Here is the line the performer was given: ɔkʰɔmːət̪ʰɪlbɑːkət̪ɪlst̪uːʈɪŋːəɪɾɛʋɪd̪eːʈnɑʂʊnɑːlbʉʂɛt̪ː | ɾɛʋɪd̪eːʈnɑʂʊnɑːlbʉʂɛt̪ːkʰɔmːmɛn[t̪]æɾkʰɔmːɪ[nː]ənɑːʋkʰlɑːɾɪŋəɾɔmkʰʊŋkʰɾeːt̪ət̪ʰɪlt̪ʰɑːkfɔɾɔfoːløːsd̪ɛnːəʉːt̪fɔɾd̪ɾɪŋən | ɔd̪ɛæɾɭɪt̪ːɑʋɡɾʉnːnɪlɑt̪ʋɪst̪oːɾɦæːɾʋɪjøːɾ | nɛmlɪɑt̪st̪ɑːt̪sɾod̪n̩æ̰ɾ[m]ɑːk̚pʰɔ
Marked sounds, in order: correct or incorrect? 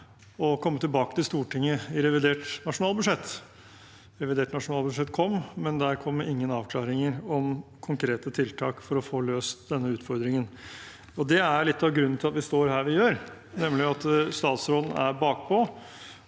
incorrect: d̪, incorrect: ŋː, incorrect: b

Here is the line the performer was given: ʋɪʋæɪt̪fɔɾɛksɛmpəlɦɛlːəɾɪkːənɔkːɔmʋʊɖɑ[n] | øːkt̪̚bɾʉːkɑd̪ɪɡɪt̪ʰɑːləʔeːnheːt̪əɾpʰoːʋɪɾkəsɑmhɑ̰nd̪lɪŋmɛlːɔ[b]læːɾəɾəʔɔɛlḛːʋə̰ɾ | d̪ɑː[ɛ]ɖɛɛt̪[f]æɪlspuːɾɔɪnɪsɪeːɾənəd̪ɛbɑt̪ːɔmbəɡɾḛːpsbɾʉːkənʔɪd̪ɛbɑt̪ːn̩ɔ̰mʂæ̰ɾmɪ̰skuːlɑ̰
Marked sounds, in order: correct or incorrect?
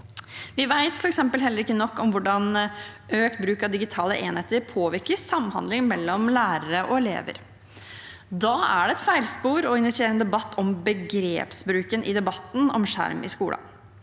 correct, incorrect: m, incorrect: æ, correct

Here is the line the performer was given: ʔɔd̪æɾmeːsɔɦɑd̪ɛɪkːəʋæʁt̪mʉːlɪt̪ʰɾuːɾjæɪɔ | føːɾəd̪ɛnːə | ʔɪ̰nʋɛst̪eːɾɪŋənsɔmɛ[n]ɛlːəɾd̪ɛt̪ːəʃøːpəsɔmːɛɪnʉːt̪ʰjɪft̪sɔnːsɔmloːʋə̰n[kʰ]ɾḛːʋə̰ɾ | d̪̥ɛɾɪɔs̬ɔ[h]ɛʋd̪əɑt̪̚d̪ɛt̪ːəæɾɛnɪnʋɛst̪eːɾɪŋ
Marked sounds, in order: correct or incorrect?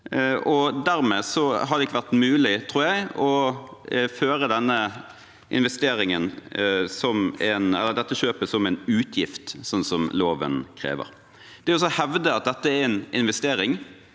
correct, correct, correct

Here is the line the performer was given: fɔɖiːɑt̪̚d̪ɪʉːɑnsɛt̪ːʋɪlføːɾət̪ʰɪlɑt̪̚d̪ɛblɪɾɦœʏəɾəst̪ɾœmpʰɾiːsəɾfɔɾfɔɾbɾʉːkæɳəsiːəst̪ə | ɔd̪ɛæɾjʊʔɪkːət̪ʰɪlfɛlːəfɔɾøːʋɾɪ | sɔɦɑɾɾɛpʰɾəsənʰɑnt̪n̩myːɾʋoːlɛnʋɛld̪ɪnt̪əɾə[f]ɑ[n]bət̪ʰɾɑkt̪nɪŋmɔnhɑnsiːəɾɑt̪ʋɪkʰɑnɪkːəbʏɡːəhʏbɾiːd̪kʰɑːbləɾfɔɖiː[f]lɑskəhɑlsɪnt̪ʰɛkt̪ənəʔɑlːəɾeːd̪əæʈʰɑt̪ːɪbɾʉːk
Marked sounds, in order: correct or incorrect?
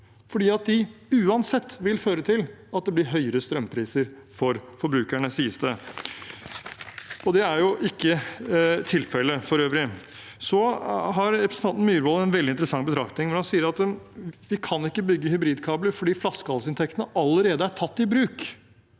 incorrect: s, incorrect: ŋ, correct

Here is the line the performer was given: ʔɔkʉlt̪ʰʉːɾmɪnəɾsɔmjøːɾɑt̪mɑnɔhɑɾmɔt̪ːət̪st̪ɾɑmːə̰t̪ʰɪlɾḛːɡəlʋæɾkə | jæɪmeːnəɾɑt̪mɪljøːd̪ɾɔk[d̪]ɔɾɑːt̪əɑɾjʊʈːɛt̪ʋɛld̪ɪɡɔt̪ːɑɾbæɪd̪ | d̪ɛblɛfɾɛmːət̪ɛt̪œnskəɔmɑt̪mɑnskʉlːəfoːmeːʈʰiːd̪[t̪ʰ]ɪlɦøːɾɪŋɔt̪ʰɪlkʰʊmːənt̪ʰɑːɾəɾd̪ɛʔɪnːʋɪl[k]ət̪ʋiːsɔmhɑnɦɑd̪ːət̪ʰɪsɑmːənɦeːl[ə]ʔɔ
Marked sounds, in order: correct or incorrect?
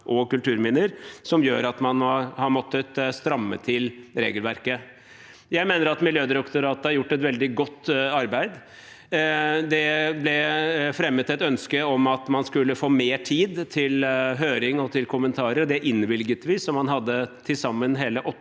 incorrect: t̪, correct, incorrect: ɡ, correct

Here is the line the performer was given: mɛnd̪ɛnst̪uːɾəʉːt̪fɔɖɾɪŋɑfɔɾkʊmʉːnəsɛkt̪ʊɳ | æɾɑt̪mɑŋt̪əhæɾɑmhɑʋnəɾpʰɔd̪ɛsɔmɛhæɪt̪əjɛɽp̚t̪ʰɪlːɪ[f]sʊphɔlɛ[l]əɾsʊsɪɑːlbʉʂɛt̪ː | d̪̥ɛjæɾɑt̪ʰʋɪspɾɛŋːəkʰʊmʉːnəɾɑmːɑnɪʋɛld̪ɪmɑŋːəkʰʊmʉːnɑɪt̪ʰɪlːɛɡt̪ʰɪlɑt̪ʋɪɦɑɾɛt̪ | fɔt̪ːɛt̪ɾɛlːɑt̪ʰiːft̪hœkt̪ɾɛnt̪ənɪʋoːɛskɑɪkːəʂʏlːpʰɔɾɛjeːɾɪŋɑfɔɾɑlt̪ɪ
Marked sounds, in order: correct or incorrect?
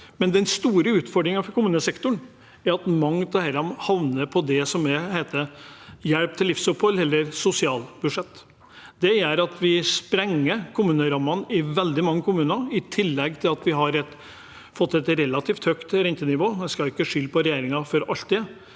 correct, incorrect: lː

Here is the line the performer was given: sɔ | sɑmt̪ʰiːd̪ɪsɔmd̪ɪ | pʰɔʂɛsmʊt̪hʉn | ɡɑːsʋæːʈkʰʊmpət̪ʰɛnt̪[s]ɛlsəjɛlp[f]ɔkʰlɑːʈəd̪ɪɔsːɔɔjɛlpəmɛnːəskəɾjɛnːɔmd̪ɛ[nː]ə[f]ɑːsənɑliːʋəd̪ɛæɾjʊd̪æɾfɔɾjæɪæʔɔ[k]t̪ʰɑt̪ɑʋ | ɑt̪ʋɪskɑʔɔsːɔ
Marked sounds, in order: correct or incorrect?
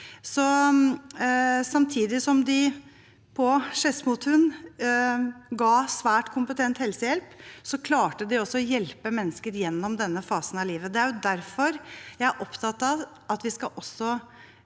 incorrect: h, incorrect: s, correct, correct, incorrect: p

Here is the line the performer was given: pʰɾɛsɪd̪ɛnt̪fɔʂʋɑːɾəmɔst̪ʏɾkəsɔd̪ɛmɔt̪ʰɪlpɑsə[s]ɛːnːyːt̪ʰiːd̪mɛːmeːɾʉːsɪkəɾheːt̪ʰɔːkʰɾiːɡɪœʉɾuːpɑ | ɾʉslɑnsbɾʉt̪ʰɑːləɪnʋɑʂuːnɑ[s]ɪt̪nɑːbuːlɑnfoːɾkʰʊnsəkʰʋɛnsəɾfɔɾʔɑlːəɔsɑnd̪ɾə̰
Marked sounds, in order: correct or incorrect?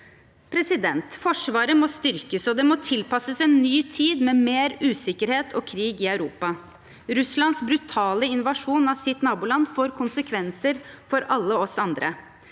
correct, correct

